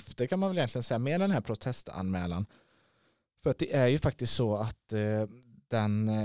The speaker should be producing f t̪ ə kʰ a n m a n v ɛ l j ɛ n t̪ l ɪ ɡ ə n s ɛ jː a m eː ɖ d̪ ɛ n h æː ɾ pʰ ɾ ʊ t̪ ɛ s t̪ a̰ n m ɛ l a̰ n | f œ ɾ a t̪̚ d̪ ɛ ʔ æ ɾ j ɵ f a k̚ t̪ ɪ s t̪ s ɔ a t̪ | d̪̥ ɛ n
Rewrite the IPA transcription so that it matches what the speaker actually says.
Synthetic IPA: f t̪ ə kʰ a n m a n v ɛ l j ɛ n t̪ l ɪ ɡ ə n s ɛ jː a m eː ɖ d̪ ɛ n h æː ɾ pʰ ɾ ʊ t̪ʰ ɛ s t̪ a̰ n m ɛː l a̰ n | f œ ɾ a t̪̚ d̪ ɛ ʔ æ ɾ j ɵ f a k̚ t̪ ɪ s t̪ s ɔ a t̪ | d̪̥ ɛ n